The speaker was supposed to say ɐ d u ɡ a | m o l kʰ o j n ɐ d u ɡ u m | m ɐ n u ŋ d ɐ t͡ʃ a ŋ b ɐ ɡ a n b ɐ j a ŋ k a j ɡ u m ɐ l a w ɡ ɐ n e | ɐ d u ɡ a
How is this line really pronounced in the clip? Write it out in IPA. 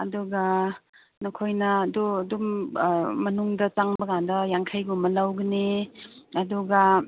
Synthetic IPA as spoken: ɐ d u ɡ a | n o kʰ o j n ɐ d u d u m | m ɐ n u ŋ d ɐ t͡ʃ a ŋ b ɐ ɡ a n d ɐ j a ŋ kʰ a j ɡ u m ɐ l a w ɡ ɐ n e | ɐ d u ɡ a